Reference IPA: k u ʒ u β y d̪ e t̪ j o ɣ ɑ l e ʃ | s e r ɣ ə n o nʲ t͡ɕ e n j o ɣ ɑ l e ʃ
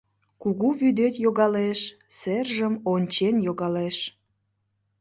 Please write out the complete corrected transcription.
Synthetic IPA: k u ɣ u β y d̪ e t̪ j o ɣ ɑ l e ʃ | s e r ʒ ə m o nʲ t͡ɕ e n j o ɣ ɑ l e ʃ